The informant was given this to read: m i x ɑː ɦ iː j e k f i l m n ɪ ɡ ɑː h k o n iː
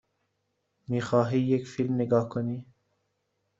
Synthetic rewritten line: m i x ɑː ɦ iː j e k f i l m n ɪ ɡ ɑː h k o n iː